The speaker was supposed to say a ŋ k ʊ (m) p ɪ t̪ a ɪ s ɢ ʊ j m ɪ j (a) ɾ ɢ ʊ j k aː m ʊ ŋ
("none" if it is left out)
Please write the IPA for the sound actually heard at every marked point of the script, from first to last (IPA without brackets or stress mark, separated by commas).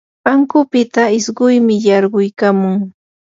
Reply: none, ɑ